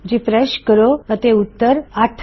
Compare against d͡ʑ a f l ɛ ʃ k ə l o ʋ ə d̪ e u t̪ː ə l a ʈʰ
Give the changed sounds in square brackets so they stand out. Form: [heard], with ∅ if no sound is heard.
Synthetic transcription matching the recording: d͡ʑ [i] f [ɾ] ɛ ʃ k ə [ɾ] o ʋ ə [t̪] e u t̪ː ə [ɾ] a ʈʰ